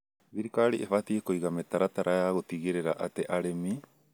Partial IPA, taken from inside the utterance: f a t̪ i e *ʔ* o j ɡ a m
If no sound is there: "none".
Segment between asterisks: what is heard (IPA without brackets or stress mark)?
k